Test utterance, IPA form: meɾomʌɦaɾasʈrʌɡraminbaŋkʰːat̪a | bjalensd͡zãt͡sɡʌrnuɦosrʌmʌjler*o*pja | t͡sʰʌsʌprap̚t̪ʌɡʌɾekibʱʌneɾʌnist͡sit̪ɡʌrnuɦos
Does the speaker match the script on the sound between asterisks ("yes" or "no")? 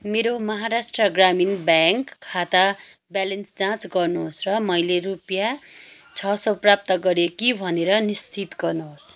no